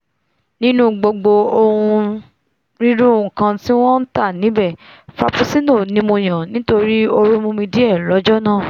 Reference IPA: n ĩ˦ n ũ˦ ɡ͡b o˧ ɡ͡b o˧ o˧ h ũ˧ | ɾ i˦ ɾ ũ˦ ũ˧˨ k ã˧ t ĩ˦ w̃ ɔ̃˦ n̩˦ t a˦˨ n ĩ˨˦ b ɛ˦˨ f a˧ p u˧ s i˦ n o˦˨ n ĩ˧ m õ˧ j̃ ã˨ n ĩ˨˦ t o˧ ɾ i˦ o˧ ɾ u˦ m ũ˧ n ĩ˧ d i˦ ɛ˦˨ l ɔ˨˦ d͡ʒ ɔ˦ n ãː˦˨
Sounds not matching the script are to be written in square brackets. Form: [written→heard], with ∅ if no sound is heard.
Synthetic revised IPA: n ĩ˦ n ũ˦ ɡ͡b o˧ ɡ͡b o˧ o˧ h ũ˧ | ɾ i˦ ɾ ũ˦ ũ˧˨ k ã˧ t [ĩ˦→i˦] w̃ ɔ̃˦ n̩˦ t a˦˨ n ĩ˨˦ b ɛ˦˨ f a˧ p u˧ s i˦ n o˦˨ n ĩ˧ m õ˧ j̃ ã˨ n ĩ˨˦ t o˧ ɾ i˦ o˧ ɾ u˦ m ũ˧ [n→m] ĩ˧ d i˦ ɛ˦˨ l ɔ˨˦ d͡ʒ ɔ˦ n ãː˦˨